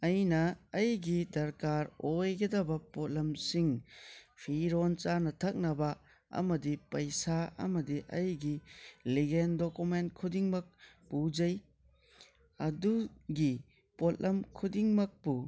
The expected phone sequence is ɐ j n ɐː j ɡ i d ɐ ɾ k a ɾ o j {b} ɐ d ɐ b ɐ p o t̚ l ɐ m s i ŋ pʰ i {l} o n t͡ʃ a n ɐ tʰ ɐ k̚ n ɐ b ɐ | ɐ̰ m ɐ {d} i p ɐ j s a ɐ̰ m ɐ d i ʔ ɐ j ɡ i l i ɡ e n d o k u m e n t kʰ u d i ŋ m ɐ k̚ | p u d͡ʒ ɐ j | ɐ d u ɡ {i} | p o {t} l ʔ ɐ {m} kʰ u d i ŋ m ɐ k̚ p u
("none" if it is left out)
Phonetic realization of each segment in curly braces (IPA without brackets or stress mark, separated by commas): ɡ, ɾ, d, i, t, m